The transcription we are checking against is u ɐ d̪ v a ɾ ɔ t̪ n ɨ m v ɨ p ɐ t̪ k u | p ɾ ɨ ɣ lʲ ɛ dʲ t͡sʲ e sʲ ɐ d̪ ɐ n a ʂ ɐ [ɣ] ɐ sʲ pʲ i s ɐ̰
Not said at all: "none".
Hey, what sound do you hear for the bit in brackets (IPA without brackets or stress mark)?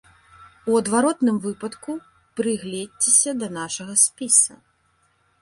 ɣ